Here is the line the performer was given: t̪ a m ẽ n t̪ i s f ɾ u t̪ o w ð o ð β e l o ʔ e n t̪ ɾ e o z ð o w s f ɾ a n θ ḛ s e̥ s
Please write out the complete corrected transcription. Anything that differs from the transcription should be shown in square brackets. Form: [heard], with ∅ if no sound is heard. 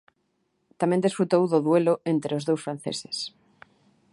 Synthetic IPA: t̪ a m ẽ n [d̪] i s f ɾ u t̪ o w ð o ð [w] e l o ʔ e n t̪ ɾ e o z ð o w s f ɾ a n θ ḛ s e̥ s